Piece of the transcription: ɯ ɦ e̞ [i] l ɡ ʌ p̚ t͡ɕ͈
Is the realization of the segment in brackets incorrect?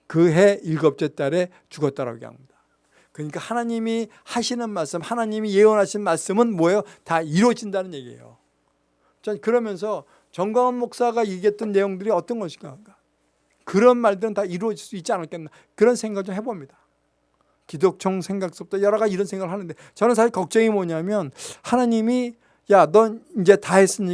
no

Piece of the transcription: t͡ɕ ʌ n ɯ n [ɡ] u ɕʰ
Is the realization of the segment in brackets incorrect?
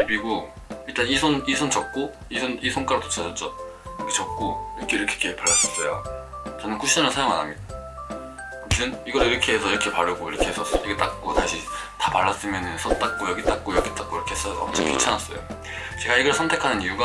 yes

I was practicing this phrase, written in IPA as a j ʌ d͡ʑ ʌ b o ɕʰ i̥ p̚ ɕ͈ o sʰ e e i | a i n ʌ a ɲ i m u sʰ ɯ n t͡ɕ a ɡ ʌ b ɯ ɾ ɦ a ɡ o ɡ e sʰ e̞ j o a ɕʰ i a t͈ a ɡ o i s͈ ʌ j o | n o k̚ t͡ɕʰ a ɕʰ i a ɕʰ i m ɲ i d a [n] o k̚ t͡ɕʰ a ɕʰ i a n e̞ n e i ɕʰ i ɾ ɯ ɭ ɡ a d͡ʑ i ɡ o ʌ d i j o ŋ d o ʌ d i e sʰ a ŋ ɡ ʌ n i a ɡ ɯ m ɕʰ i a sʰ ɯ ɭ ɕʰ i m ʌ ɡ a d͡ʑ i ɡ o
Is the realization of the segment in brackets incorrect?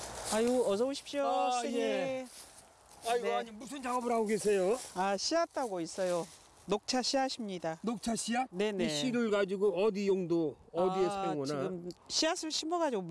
no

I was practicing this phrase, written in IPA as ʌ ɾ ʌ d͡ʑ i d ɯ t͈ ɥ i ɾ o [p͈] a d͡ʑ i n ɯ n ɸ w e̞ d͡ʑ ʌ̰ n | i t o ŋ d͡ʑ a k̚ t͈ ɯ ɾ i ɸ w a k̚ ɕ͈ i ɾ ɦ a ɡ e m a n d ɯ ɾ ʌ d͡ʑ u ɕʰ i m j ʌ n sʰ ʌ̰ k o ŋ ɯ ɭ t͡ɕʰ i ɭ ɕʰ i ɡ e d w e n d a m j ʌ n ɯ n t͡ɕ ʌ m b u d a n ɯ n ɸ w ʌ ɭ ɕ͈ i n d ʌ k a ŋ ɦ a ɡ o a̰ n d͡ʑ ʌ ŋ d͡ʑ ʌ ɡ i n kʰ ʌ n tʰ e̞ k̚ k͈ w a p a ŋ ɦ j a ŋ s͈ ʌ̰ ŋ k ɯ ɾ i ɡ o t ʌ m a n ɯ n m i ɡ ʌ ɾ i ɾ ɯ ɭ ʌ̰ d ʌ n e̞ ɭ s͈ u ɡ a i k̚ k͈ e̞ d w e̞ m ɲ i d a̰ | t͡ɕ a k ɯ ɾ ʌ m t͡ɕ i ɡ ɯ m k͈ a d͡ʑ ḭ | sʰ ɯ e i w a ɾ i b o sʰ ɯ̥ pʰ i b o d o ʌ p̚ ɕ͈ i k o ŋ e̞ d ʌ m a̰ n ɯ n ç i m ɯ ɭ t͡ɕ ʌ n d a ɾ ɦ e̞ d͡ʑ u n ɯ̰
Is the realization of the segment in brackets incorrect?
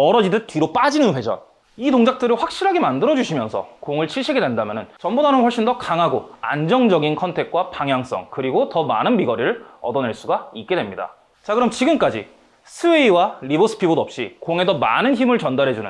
no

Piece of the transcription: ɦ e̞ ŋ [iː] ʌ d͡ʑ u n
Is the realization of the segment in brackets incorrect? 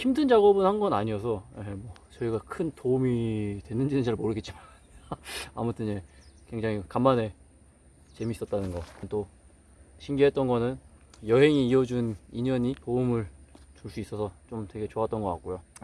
no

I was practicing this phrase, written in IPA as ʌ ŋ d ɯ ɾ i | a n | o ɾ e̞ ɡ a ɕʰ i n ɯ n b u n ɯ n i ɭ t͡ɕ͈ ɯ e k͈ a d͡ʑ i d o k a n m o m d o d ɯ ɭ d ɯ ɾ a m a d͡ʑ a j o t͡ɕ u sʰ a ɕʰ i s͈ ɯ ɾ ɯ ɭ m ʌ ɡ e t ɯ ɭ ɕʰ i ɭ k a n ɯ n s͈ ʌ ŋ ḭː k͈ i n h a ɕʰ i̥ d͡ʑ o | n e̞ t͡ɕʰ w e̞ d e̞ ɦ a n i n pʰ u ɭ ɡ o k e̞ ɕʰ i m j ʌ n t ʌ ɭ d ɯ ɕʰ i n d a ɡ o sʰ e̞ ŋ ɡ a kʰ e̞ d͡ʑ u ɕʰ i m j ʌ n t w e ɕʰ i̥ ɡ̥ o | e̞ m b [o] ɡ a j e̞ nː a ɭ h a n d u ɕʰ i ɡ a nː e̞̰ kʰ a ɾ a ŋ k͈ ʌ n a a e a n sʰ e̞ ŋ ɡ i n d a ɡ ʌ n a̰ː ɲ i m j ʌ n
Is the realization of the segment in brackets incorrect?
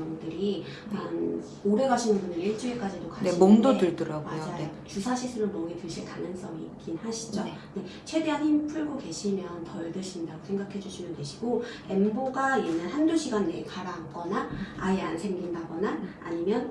no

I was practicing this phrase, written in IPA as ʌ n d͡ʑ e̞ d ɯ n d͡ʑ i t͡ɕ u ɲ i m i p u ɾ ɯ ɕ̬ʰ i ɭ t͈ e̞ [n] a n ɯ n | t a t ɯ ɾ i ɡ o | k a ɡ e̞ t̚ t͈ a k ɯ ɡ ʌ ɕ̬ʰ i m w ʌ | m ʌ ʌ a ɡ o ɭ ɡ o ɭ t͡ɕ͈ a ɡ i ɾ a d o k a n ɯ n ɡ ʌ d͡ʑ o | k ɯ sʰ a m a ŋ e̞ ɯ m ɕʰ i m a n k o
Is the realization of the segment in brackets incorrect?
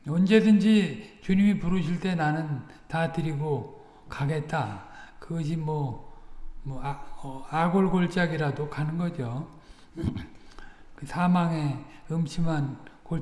no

